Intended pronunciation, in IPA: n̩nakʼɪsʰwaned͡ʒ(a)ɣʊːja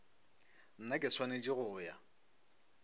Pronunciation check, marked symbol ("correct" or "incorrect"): incorrect